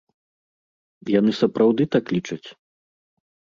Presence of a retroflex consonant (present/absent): present